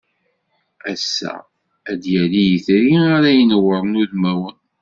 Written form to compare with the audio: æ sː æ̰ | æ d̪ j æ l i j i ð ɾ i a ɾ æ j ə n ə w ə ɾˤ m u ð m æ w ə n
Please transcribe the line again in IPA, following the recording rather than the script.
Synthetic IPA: æ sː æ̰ | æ d̪ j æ l i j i θ ɾ i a ɾ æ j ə n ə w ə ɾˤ n u ð m æ w ə n

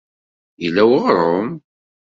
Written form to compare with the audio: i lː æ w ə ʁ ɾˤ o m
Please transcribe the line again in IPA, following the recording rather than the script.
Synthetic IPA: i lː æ w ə ʁ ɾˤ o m

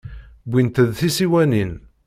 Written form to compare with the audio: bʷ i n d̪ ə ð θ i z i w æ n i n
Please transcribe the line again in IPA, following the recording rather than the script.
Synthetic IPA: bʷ i n t̪ ə ð θ i s i w æ n i n

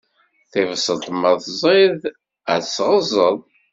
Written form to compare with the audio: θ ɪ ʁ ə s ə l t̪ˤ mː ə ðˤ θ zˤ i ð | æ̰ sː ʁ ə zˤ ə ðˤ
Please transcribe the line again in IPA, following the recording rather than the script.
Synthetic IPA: θ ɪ v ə s ə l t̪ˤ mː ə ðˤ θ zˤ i ð | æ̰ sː ʁ ə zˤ ə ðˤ

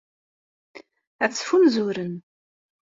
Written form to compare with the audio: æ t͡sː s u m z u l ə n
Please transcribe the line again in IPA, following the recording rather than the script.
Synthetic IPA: æ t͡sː f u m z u ɾ ə n

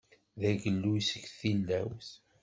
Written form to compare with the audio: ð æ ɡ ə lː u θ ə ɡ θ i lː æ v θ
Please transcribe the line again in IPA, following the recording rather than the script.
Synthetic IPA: ð æ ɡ ə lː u s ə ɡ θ i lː æ w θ

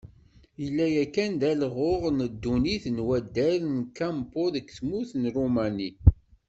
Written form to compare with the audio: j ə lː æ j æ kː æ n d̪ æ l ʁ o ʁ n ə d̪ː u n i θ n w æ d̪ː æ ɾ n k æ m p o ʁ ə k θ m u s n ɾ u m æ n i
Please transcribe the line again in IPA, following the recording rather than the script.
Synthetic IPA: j ə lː æ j æ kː æ n d̪ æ l ʁ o ʁ n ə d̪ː u n i θ n w æ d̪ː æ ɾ n k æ m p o ð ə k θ m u θ n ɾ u m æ n i

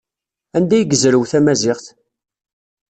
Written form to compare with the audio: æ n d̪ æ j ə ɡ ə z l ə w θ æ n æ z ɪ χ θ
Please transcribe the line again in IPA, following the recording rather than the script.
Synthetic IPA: æ n d̪ æ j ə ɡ ə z ɾ ə w θ æ m æ z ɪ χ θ

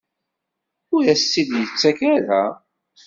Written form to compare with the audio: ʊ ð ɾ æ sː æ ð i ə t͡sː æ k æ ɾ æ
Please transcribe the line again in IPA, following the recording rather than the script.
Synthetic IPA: ʊ ɾ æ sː i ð j ə t͡sː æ k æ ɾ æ

